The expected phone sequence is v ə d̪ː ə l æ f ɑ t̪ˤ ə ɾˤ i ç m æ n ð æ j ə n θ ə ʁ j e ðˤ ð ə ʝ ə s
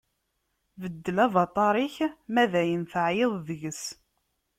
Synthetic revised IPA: v ə d̪ː ə l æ v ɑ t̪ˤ ɑ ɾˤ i ç m æ ð æ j ə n θ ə ʕ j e ðˤ ð ə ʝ ə s